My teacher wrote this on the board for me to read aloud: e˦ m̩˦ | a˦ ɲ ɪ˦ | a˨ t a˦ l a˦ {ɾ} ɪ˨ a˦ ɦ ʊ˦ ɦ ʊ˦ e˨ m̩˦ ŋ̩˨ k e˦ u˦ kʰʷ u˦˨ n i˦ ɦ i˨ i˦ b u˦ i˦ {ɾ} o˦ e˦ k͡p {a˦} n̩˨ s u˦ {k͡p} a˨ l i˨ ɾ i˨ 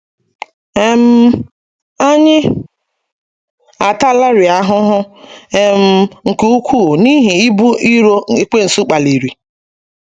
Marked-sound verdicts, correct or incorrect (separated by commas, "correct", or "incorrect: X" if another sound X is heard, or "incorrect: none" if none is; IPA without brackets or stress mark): correct, correct, incorrect: e˦, correct